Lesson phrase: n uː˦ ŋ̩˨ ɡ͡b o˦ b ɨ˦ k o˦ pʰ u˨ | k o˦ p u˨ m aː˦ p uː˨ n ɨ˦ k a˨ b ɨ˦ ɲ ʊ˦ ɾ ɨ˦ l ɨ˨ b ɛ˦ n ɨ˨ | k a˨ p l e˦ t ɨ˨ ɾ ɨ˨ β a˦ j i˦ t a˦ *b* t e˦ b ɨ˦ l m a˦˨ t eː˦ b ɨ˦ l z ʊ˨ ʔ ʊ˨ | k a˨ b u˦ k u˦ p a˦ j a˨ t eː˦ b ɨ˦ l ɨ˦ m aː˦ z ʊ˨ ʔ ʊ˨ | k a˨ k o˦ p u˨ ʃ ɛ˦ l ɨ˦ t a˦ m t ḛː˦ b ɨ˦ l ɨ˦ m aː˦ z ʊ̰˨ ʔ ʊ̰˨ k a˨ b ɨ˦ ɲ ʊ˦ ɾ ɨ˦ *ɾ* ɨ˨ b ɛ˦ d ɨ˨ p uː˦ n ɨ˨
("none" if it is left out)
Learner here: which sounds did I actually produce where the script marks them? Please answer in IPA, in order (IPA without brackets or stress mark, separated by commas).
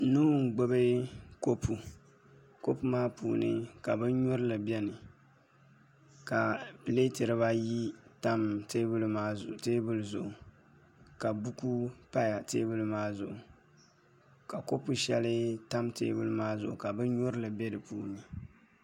m, l